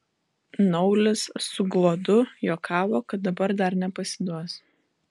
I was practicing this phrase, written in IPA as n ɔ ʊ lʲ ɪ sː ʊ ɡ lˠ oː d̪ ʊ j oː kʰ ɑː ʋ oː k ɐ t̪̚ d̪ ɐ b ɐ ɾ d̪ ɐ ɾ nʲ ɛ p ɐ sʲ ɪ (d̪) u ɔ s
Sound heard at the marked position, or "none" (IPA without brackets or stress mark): d̪